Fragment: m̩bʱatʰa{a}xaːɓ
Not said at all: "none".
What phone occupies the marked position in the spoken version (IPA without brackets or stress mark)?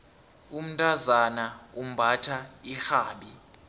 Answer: i